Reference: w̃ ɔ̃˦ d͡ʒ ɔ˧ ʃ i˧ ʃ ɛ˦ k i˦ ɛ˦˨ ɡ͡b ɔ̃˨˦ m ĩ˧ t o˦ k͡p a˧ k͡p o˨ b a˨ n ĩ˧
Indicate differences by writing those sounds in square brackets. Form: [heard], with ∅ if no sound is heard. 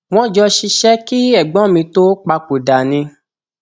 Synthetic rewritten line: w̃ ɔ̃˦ d͡ʒ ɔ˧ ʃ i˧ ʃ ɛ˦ k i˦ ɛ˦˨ ɡ͡b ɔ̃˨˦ m ĩ˧ t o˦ k͡p a˧ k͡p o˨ [d] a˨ n ĩ˧